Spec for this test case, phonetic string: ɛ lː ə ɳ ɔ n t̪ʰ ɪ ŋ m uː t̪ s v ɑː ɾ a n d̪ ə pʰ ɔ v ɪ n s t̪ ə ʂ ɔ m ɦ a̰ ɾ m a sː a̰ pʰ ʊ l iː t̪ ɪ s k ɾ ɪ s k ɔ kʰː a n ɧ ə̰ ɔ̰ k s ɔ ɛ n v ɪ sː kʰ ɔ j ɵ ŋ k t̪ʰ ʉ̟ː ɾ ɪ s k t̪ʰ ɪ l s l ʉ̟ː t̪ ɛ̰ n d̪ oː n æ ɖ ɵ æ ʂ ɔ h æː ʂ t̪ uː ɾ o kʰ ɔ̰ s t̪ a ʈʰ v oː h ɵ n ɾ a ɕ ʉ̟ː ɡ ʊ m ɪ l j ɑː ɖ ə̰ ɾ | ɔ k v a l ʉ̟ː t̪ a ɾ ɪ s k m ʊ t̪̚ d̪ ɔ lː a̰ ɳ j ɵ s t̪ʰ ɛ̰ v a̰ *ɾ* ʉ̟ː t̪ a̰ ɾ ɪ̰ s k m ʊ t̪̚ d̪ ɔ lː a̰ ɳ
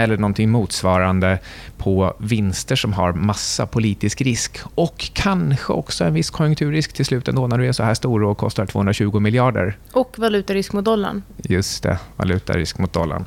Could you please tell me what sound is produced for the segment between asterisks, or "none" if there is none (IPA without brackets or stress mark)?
l